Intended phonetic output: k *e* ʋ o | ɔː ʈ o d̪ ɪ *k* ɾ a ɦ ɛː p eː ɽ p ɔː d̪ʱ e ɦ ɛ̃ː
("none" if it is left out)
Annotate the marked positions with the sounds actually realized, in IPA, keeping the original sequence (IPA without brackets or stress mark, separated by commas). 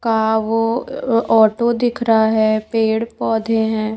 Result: a, kʰ